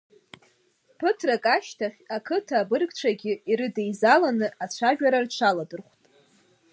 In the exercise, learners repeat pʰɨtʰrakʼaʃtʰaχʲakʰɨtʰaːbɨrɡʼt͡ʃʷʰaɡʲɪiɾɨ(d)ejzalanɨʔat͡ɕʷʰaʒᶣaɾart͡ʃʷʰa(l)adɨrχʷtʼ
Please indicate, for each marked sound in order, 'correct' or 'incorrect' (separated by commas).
correct, correct